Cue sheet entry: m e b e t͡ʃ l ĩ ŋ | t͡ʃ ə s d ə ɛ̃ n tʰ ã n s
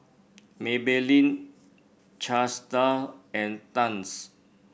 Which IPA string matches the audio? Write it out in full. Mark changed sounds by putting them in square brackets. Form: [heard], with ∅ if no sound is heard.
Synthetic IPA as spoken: m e b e [∅] l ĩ [n] | t͡ʃ [a] s [t] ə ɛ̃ n [t] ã n s